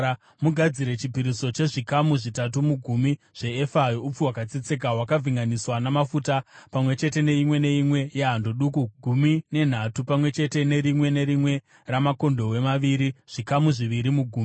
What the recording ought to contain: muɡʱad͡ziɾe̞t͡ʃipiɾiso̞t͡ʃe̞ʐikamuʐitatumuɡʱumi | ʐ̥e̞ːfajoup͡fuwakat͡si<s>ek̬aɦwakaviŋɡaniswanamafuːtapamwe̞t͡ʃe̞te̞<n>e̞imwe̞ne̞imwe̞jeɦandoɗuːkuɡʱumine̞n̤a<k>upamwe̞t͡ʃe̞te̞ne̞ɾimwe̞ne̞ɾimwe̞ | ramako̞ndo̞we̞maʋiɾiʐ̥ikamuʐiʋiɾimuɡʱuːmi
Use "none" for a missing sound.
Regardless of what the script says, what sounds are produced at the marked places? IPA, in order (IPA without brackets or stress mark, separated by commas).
t͡s, n, t